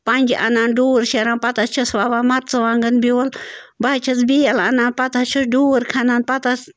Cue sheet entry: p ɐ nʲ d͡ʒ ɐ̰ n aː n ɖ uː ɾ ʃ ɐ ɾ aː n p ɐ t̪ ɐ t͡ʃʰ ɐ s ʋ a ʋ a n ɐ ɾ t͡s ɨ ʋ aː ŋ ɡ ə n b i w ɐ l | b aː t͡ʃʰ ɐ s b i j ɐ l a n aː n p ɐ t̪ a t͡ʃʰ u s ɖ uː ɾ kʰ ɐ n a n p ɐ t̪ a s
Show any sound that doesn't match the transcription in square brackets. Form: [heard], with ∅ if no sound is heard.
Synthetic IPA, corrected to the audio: p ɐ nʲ d͡ʒ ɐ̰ n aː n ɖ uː ɾ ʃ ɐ ɾ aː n p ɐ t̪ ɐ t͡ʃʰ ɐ s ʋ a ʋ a [m] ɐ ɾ t͡s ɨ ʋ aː ŋ ɡ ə n b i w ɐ l | b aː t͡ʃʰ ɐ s b i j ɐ l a n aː n p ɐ t̪ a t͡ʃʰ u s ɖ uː ɾ kʰ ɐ n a n p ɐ t̪ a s